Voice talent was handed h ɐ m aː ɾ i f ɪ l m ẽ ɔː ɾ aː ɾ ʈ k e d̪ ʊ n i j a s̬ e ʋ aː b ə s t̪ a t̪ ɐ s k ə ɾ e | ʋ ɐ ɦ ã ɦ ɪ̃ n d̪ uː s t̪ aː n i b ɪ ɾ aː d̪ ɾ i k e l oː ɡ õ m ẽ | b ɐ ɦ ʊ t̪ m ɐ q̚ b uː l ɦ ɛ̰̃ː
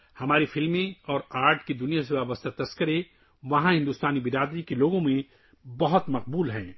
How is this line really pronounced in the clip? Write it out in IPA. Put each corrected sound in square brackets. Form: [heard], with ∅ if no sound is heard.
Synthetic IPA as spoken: h ɐ m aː ɾ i f ɪ l m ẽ ɔː ɾ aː ɾ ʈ k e d̪ ʊ n i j a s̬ e ʋ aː b ə s t̪ a t̪ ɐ s k ə ɾ e | ʋ ɐ ɦ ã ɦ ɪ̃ n d̪ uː s t̪ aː n i b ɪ ɾ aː d̪ ɾ i k e l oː ɡ õ m ẽ | b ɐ ɦ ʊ t̪ m ɐ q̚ b uː l ɦ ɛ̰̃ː